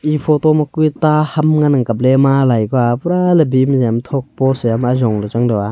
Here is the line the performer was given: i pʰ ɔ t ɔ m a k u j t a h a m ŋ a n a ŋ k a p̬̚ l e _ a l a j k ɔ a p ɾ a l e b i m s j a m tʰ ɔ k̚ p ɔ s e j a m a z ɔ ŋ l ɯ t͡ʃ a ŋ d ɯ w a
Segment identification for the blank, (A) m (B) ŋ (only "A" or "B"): A